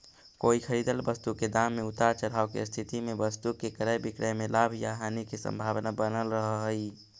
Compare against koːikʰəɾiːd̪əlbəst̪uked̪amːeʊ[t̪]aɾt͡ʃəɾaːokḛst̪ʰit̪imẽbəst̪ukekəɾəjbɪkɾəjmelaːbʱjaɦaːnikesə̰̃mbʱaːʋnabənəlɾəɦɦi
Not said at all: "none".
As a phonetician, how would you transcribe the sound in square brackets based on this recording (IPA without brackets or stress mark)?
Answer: t̪